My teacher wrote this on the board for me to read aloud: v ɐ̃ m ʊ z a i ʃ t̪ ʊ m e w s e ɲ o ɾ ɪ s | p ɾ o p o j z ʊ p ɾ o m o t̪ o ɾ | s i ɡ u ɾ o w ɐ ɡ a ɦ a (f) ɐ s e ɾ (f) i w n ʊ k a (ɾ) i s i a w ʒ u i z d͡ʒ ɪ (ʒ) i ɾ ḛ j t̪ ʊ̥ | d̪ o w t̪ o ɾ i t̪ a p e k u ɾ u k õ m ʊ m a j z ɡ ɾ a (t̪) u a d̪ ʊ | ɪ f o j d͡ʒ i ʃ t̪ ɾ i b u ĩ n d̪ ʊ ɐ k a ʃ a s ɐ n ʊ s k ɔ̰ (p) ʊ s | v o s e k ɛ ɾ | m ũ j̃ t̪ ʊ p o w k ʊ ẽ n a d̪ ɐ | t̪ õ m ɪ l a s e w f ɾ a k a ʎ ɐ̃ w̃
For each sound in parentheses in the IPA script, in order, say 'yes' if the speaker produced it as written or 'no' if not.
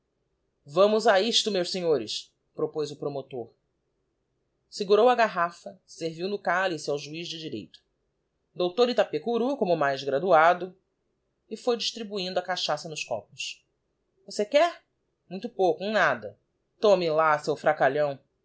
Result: yes, no, no, no, no, yes

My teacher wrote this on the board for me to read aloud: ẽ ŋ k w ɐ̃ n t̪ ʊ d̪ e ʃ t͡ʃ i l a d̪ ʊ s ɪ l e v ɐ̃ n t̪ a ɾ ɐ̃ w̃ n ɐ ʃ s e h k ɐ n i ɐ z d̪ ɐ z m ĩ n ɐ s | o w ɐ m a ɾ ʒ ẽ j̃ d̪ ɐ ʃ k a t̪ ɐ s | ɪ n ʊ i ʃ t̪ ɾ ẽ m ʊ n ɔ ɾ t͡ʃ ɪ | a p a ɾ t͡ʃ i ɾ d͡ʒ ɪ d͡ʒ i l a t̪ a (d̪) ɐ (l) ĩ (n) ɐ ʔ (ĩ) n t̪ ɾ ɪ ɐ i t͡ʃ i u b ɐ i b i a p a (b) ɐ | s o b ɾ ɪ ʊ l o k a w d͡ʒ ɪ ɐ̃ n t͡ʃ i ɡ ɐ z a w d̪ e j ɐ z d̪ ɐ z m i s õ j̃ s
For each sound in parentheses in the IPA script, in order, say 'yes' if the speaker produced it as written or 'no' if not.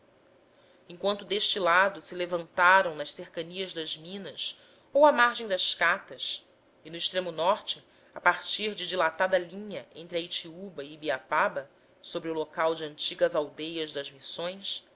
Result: yes, yes, no, no, yes

